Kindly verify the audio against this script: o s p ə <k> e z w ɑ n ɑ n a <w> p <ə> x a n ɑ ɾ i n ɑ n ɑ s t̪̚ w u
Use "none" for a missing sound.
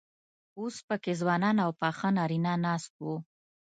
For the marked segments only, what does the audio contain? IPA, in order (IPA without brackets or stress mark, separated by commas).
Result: k, w, ɑ